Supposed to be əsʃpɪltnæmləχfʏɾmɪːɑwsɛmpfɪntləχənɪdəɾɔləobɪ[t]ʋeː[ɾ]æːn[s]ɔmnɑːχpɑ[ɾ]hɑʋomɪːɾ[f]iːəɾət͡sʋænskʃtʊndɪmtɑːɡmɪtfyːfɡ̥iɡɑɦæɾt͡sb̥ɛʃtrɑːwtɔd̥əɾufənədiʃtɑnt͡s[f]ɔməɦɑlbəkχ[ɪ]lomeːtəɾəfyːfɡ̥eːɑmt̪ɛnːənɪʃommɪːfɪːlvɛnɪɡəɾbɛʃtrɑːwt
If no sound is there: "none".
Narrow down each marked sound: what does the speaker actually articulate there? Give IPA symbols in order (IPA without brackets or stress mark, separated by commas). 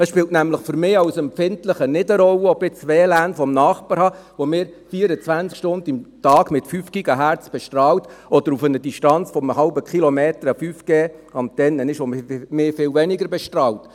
t͡s, l, f, ɾ, f, f, i